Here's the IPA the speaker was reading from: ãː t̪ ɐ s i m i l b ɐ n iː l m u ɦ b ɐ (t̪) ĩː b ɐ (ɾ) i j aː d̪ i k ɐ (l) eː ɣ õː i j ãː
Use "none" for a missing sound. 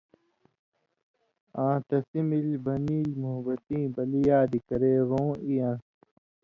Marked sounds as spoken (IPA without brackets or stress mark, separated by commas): t̪, l, ɾ